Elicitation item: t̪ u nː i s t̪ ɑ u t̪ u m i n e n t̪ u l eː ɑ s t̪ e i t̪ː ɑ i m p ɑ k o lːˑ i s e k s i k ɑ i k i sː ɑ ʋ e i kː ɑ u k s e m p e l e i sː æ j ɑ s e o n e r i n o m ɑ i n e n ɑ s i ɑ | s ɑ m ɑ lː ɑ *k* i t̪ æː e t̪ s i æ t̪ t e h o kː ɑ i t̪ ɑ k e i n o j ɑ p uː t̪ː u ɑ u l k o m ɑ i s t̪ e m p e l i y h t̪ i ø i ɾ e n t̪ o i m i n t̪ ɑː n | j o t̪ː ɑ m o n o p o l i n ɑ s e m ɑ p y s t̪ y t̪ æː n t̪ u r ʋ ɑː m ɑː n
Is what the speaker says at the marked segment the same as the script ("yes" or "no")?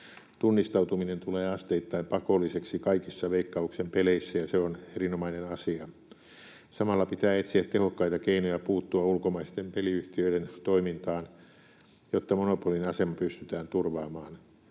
no